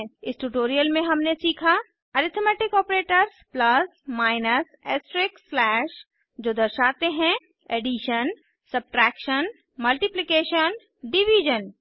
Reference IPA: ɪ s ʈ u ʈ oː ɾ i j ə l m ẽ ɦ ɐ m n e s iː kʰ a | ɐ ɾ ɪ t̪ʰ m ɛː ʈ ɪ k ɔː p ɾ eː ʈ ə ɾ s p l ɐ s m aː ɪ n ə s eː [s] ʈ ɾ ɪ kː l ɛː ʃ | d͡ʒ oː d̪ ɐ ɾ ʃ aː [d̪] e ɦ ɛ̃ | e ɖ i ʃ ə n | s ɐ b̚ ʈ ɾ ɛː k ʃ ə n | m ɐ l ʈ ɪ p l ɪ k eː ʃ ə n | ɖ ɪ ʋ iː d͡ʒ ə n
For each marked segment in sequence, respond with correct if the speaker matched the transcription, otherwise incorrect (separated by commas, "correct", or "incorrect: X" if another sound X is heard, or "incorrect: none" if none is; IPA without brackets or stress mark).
correct, incorrect: t̪